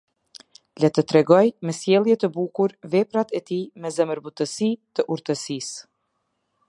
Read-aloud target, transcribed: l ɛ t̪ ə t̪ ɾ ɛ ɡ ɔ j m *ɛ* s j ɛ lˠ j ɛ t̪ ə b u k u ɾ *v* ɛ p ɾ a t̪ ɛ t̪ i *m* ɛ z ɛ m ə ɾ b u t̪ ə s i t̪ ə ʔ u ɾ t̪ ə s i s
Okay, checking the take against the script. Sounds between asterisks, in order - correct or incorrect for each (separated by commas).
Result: correct, correct, correct